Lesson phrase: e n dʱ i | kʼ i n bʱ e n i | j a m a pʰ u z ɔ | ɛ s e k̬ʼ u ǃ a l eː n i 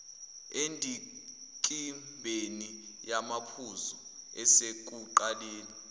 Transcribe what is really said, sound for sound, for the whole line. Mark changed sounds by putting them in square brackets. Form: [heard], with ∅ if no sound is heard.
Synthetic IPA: e n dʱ i | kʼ i [m] bʱ e n i | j a m a pʰ u z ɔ | ɛ s e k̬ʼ u ǃ a l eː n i